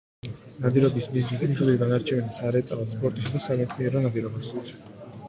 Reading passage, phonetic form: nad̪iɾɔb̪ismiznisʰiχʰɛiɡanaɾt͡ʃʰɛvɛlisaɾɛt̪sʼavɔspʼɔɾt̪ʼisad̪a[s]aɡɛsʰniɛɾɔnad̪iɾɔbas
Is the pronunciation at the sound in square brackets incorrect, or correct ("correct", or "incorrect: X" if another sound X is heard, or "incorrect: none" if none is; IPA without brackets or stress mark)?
correct